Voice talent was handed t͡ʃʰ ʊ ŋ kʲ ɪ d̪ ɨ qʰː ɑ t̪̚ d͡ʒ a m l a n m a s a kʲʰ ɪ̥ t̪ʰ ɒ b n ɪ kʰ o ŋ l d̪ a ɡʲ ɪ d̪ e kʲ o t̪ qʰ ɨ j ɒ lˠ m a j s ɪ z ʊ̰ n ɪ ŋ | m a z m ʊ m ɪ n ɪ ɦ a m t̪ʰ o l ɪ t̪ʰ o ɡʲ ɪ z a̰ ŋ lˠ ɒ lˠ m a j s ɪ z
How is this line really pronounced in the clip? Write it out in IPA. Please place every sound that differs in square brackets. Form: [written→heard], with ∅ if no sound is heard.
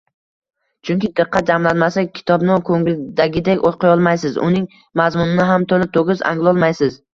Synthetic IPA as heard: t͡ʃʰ ʊ ŋ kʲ ɪ d̪ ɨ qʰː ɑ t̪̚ d͡ʒ a m l a n m a s a kʲʰ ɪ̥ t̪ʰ ɒ b n ɪ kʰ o ŋ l d̪ a ɡʲ ɪ d̪ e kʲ o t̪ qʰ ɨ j ɒ lˠ m a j s ɪ z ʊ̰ n ɪ ŋ | m a z m ʊ [m→n] ɪ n ɪ ɦ a m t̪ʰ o l ɪ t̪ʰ o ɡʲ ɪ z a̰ ŋ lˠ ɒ lˠ m a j s ɪ z